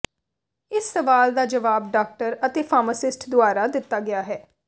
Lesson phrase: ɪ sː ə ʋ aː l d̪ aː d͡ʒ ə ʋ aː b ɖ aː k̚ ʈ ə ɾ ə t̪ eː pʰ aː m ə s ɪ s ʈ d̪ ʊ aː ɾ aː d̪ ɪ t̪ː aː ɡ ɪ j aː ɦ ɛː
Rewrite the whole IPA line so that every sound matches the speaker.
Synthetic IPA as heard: ɪ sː ə ʋ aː l d̪ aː d͡ʒ ə ʋ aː b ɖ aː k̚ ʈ ə ɾ ə t̪ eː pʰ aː m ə s ɪ s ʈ d̪ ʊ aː ɾ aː d̪ ɪ t̪ː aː ɡ ɪ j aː ɦ ɛː

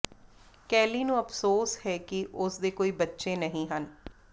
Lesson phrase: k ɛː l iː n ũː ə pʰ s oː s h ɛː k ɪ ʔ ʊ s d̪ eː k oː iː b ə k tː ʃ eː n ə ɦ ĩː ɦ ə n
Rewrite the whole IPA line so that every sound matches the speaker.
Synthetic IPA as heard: k ɛː l iː n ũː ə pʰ s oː s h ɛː k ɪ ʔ ʊ s d̪ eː k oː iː b ə tː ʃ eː n ə ɦ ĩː ɦ ə n

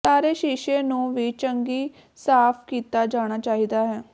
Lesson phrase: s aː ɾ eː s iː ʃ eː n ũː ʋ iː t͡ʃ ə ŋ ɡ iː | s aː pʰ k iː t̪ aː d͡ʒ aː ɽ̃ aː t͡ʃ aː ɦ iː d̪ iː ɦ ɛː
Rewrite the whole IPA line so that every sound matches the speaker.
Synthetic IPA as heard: s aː ɾ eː ʃ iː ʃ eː n ũː ʋ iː t͡ʃ ə ŋ ɡ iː | s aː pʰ k iː t̪ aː d͡ʒ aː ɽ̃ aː t͡ʃ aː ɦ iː d̪ aː ɦ ɛː

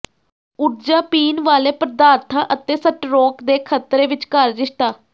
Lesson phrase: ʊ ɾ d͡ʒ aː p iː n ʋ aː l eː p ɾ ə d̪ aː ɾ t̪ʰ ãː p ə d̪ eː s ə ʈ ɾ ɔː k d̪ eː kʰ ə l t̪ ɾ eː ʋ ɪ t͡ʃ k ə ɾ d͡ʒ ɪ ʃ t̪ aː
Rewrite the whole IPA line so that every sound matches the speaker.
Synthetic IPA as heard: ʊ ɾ d͡ʒ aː p iː n ʋ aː l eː p ɾ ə d̪ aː ɾ t̪ʰ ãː ʔ ə t̪ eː s ə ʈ ɾ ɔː k d̪ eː kʰ ə t̪ ɾ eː ʋ ɪ t͡ʃ k ə ɾ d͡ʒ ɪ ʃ t̪ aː

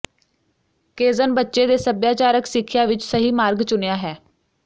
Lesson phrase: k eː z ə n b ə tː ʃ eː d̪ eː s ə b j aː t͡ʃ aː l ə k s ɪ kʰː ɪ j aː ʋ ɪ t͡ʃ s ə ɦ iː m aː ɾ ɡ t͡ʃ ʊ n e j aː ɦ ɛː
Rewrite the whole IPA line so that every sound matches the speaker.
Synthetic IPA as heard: k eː z ə n b ə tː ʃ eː d̪ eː s ə b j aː t͡ʃ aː ɾ ə k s ɪ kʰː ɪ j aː ʋ ɪ t͡ʃ s ə ɦ iː m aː ɾ ɡ t͡ʃ ʊ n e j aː ɦ ɛː

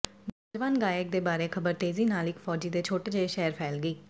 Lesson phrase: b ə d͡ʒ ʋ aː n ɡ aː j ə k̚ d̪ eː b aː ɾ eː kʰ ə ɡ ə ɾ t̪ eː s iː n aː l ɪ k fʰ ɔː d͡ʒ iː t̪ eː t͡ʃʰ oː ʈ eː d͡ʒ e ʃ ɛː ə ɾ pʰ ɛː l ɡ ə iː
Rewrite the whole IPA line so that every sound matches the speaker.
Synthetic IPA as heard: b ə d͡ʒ ʋ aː n ɡ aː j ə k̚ d̪ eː b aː ɾ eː kʰ ə b ə ɾ t̪ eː z iː n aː l ɪ k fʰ ɔː d͡ʒ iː d̪ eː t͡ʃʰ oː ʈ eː d͡ʒ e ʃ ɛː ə ɾ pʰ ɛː l ɡ ə iː

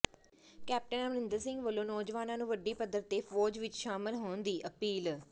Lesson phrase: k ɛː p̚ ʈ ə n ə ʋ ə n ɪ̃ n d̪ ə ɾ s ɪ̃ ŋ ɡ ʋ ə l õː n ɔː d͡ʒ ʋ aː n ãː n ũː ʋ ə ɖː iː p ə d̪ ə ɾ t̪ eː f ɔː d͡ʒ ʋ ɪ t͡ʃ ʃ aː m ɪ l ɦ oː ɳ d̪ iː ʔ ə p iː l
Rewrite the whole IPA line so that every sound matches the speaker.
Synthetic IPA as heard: k ɛː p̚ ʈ ə n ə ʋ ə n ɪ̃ n d̪ ə ɾ s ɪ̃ ŋ ɡ ʋ ə l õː n ɔː d͡ʒ ʋ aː n ãː n ũː ʋ ə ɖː iː p ə d̪ ə ɾ t̪ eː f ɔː d͡ʒ ʋ ɪ t͡ʃ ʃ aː m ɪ l ɦ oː n d̪ iː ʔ ə p iː l

